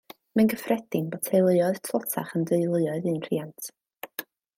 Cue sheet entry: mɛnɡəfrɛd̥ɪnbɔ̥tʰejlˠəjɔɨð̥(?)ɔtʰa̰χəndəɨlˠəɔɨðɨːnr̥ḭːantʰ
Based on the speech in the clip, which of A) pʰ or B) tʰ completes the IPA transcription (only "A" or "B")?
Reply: B